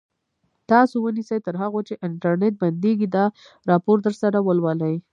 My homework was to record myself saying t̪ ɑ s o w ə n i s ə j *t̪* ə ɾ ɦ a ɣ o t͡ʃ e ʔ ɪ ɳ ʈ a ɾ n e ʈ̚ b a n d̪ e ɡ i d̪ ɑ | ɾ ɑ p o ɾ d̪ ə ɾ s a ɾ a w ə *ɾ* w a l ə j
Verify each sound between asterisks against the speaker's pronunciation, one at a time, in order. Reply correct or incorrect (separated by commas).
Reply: correct, incorrect